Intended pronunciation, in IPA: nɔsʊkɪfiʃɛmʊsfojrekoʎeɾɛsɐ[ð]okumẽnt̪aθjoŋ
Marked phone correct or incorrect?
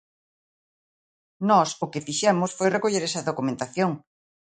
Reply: correct